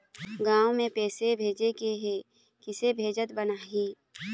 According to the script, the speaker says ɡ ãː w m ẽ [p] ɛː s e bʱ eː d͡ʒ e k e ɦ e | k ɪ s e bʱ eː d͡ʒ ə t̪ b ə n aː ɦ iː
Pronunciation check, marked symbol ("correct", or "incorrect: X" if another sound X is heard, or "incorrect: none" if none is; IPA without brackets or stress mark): correct